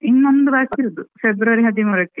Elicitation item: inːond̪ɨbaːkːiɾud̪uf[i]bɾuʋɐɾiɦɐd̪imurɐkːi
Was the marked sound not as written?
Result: yes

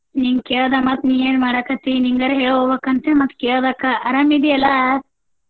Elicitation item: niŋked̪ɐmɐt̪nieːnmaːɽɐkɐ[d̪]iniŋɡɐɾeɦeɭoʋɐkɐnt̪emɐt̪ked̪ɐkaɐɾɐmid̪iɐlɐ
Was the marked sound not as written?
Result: yes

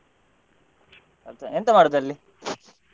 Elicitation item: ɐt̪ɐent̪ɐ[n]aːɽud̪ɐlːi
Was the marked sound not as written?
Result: yes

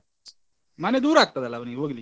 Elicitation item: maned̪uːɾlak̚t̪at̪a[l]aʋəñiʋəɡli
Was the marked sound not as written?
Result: no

